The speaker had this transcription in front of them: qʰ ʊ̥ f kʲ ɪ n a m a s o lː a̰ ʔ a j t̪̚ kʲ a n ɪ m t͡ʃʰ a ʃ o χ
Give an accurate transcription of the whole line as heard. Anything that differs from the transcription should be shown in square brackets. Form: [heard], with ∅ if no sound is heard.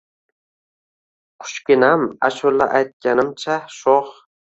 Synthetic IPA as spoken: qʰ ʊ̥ [ʃ] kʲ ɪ n a m a [ʃ] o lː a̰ ʔ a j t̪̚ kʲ a n ɪ m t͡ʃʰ a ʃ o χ